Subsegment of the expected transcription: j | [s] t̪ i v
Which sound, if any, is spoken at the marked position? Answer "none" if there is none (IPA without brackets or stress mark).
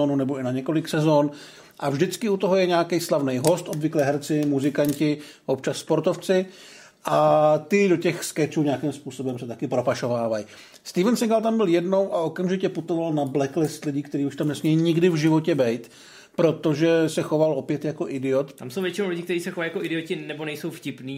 s